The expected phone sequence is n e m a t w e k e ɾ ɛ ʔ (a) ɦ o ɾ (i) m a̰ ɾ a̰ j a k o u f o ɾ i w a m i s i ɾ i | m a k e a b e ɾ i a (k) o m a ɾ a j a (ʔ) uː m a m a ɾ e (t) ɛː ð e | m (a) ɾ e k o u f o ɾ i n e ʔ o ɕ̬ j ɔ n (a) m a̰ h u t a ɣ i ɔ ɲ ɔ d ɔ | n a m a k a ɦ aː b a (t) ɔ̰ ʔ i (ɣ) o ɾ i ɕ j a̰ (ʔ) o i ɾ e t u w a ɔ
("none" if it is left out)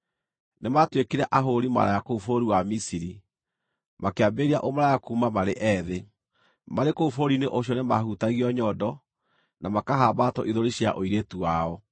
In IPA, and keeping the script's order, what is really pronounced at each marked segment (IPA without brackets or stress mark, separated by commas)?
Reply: a, i, ʔ, k, ʔ, a, e, t, ð, ʔ